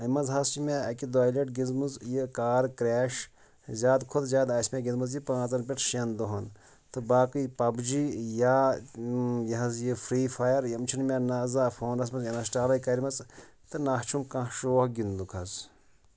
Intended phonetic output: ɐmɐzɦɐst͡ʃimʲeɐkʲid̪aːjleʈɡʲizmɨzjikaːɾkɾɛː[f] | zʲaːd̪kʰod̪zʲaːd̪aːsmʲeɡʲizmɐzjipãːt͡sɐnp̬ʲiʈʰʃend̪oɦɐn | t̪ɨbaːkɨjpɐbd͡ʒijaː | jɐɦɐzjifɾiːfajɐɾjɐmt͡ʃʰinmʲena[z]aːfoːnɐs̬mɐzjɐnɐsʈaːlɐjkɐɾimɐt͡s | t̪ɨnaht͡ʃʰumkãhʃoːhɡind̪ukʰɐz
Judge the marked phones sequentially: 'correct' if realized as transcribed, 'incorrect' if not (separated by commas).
incorrect, correct